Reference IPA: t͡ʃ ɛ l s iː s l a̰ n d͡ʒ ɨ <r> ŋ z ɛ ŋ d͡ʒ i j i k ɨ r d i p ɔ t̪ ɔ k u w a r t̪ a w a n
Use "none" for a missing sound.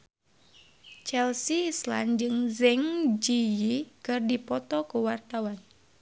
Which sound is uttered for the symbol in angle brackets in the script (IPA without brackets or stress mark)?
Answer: none